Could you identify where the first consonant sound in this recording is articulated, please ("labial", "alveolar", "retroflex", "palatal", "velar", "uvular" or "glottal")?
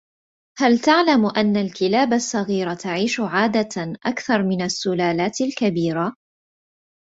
glottal